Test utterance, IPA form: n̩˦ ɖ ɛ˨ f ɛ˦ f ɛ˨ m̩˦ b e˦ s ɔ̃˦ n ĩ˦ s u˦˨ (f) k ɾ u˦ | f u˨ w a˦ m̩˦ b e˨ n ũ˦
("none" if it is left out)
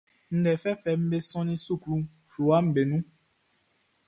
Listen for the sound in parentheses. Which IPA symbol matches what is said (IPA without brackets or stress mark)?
none